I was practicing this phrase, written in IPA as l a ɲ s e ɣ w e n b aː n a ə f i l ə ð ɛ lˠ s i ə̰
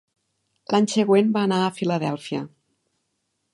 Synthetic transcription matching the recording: l a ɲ s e ɣ w e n b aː n a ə f i l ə ð ɛ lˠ f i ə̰

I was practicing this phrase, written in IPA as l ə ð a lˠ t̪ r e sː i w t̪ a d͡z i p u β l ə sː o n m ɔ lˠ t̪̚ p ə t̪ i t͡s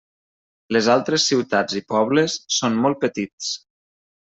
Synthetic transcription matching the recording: l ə z a lˠ t̪ ɾ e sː i w t̪ a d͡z i p ɔ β l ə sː o n m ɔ lˠ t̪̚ p ə t̪ i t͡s

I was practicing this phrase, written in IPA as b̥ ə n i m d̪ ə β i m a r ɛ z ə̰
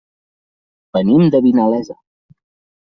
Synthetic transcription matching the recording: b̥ ə n i m d̪ ə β i n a l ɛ z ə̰

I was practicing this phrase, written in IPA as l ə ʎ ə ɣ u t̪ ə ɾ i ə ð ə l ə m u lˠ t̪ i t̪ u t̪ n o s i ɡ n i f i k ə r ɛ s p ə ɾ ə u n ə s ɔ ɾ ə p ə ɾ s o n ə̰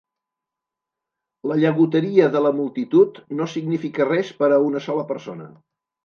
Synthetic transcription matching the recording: l ə ʎ ə ɣ u t̪ ə ɾ i ə ð ə l ə m u lˠ t̪ i t̪ u t̪ n o s i ɡ n i f i k ə r ɛ s p ə ɾ ə u n ə s ɔ l ə p ə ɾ s o n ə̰

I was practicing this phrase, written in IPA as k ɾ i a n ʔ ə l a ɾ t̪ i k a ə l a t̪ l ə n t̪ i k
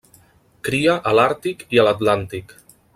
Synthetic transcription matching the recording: k ɾ i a ʔ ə l a ɾ t̪ i k i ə l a t̪ l a n t̪ i k

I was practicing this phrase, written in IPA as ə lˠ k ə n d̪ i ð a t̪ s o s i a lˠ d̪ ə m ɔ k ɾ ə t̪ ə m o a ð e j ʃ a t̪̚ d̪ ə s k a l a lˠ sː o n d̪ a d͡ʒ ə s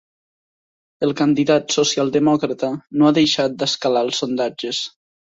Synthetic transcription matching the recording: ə lˠ k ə n d̪ i ð a t̪ s o s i a lˠ d̪ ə m ɔ k ɾ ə t̪ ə n o a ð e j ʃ a t̪̚ d̪ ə s k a l a lˠ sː o n d̪ a d͡ʒ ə s

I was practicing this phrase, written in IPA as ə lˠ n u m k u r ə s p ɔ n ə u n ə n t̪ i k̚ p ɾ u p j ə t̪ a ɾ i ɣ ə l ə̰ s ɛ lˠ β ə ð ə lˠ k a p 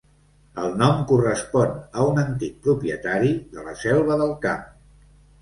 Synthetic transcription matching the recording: ə lˠ n ɔ m k u r ə s p ɔ n ə u n ə n t̪ i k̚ p ɾ u p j ə t̪ a ɾ i ð ə l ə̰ s ɛ lˠ β ə ð ə lˠ k a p

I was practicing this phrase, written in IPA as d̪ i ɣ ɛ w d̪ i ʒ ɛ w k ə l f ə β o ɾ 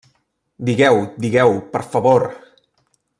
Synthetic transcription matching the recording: d̪ i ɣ ɛ w d̪ i ɣ ɛ w p ə ɾ f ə β o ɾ

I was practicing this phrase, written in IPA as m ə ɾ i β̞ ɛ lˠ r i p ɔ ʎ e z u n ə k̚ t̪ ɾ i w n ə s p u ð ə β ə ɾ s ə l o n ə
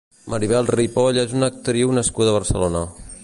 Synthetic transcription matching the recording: m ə ɾ i β̞ ɛ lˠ r i p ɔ ʎ e z u n ə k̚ t̪ ɾ i w n ə s k u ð ə β ə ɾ s ə l o n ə

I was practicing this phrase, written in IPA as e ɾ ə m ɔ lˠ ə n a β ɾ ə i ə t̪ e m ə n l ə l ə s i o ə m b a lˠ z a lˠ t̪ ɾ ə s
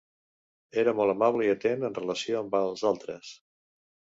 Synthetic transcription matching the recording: e ɾ ə m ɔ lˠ ə m a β l ə i ə t̪ e n ə n r ə l ə s i o ə m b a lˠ z a lˠ t̪ ɾ ə s

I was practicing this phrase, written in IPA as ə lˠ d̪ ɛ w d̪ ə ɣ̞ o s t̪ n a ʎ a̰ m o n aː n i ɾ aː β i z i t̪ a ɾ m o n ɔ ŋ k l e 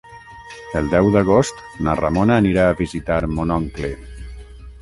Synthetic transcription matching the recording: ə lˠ d̪ ɛ w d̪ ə ɣ̞ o s t̪ n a r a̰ m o n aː n i ɾ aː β i z i t̪ a ɾ m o n ɔ ŋ k l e

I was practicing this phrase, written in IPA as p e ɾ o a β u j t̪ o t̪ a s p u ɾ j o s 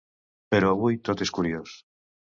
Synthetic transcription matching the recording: p e ɾ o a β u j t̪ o t̪ e s k u ɾ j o s

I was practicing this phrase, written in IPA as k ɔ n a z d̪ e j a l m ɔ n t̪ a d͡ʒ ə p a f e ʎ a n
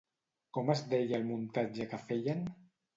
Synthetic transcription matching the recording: k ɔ m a z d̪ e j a l m u n t̪ a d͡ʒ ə k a f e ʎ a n

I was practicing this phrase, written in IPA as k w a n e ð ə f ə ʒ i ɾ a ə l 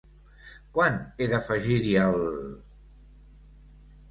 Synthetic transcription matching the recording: k w a n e ð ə f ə ʒ i ɾ i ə l

